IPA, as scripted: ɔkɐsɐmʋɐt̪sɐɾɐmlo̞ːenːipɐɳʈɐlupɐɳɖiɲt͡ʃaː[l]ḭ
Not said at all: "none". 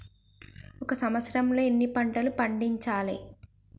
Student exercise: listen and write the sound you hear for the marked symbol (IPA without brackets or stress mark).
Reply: l